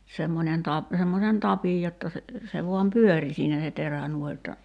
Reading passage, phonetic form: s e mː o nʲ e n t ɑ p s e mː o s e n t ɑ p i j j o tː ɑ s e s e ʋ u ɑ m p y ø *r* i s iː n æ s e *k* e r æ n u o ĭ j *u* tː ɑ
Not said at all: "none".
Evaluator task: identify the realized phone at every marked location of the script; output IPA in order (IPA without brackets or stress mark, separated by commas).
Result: r, t, o